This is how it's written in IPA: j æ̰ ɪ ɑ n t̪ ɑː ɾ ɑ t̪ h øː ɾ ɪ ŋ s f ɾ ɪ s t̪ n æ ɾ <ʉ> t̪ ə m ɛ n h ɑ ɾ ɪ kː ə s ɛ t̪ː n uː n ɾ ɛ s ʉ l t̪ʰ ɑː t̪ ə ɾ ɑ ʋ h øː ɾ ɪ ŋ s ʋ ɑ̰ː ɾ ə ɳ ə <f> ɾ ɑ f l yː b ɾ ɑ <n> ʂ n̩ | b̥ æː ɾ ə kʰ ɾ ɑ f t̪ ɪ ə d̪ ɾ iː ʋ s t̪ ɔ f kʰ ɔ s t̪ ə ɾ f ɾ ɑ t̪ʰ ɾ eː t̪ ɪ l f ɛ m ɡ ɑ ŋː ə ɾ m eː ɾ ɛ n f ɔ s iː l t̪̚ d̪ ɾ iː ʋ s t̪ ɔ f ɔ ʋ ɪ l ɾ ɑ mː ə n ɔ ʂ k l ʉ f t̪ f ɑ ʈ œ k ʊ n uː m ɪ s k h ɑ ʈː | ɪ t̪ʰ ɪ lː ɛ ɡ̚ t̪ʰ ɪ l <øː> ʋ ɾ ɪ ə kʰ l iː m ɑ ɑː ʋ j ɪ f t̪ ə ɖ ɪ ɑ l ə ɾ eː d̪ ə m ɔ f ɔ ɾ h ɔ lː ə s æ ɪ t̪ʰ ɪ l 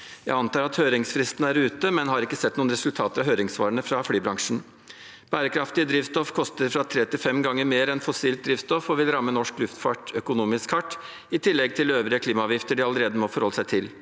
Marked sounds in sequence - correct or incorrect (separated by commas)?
incorrect, correct, incorrect, correct